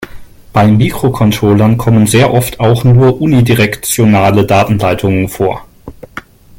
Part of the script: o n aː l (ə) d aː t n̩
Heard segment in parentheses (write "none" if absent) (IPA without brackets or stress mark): ə